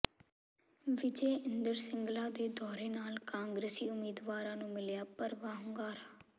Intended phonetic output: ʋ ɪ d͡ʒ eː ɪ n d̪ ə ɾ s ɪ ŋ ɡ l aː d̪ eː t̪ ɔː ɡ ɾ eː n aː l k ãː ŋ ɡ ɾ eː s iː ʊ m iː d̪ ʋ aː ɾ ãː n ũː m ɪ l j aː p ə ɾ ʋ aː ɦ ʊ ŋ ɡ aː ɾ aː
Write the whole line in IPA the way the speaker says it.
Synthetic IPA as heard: ʋ ɪ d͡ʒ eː ɪ n d̪ ə ɾ s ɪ ŋ ɡ l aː d̪ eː d̪ ɔː ɾ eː n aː l k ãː ŋ ɡ ɾ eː s iː ʊ m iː d̪ ʋ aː ɾ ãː n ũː m ɪ l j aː p ə ɾ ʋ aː ɦ ʊ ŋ ɡ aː ɾ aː